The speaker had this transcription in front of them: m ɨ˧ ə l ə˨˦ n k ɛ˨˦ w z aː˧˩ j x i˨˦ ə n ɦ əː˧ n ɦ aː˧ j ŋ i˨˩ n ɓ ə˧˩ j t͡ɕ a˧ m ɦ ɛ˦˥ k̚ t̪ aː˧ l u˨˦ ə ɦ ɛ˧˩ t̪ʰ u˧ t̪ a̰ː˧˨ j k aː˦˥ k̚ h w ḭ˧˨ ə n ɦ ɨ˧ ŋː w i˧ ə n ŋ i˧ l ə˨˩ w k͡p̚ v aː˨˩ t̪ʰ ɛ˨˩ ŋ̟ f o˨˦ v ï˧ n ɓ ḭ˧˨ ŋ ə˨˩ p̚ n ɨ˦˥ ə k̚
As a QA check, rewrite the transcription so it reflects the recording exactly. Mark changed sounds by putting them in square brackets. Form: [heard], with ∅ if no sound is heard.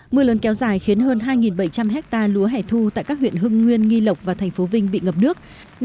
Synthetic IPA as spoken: m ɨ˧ ə l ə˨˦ n k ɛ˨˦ w z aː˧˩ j x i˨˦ ə n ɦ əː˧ n ɦ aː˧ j ŋ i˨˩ n ɓ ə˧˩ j t͡ɕ a˧ m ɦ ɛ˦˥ k̚ t̪ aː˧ l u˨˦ ə ɦ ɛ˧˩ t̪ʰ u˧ t̪ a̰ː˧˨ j k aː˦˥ k̚ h w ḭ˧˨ ə n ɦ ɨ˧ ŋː w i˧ ə n ŋ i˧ l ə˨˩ w k͡p̚ v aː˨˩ t̪ʰ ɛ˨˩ ŋ̟ f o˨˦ v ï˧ [ŋ] ɓ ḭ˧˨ ŋ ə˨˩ p̚ n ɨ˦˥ ə k̚

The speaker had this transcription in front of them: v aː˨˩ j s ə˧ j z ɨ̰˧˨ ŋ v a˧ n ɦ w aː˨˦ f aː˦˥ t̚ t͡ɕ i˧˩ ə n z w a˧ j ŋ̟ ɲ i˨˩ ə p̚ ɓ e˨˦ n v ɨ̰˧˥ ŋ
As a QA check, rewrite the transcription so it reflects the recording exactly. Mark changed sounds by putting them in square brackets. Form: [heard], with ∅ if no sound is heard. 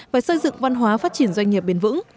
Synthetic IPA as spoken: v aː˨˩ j s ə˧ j z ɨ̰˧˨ ŋ v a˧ n ɦ w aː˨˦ f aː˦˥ t̚ t͡ɕ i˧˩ ə n z w a˧ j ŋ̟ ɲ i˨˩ ə p̚ ɓ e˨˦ n v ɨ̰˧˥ ŋ

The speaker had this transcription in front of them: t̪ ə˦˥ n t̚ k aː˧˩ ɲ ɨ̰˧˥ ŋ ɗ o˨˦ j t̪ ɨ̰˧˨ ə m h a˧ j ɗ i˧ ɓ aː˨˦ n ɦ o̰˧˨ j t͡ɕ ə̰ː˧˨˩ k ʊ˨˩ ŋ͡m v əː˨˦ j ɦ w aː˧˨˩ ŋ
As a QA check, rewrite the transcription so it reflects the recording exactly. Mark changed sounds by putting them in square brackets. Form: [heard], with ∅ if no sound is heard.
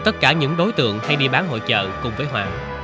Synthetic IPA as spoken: t̪ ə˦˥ [∅] t̚ k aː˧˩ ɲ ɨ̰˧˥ ŋ ɗ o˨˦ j t̪ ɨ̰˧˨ ə [ŋ] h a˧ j ɗ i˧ ɓ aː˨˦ n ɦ o̰˧˨ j t͡ɕ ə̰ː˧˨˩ k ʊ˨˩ ŋ͡m v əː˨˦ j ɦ w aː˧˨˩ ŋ

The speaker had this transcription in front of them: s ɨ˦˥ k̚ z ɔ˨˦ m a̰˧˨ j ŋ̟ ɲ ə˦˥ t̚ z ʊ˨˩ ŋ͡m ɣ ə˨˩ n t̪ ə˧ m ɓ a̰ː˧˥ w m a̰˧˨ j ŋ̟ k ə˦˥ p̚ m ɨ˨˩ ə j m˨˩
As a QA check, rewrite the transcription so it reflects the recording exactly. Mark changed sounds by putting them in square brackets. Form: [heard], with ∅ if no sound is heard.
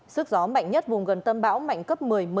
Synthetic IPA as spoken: s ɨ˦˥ k̚ z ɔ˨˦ m a̰˧˨ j ŋ̟ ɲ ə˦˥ t̚ [v] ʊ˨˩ ŋ͡m ɣ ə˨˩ n t̪ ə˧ m ɓ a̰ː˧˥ w m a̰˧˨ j ŋ̟ k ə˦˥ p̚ m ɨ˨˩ ə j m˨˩

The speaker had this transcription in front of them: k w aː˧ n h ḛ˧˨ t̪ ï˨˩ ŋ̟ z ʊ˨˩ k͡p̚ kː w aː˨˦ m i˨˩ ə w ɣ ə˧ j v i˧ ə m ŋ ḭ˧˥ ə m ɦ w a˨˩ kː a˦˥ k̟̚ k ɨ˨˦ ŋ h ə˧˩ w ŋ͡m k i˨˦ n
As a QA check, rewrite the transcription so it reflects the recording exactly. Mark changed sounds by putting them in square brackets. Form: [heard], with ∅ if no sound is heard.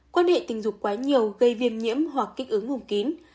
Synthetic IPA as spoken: k w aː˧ n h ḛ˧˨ t̪ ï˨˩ ŋ̟ z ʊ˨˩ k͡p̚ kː w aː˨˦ [ɲ] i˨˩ ə w ɣ ə˧ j v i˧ ə m [ɲ] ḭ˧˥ ə m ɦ w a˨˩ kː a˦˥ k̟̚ [ʔ] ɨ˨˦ ŋ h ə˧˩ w ŋ͡m k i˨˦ n

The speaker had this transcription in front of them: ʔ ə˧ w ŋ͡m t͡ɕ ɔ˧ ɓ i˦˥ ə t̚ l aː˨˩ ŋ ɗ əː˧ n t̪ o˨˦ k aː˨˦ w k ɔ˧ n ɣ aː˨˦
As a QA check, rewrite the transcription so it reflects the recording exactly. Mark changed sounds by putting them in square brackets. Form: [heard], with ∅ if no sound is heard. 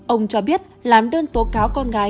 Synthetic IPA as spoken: ʔ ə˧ w ŋ͡m t͡ɕ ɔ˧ ɓ i˦˥ ə t̚ l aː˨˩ [m] ɗ əː˧ n t̪ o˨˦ k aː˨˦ w k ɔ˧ n ɣ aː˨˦

